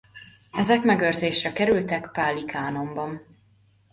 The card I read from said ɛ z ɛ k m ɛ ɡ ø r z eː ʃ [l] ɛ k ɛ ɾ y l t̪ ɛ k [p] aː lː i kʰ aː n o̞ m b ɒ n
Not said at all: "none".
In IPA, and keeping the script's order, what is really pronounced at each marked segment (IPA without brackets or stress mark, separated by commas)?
r, p